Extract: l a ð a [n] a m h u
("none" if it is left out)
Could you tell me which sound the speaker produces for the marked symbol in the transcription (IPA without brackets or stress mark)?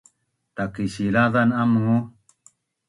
n